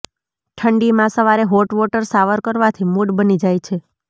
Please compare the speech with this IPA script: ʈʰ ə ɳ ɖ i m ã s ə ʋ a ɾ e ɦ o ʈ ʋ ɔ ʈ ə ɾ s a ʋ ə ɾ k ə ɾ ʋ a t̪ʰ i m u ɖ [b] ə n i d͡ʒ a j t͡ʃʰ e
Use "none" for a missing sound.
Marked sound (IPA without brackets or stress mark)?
b